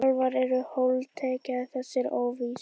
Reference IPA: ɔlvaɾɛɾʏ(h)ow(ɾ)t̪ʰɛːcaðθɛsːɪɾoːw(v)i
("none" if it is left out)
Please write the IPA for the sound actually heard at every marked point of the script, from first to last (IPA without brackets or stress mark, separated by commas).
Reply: h, l, v